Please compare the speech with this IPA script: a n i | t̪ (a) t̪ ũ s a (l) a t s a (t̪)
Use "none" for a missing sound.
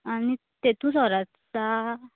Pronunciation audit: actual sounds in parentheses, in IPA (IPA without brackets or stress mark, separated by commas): e, ɾ, none